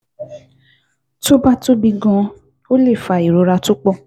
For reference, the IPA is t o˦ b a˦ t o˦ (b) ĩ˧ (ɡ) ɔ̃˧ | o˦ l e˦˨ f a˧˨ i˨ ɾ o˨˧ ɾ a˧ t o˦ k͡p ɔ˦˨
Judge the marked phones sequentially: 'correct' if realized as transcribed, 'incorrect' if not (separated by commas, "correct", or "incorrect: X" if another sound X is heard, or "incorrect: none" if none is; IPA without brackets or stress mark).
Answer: correct, correct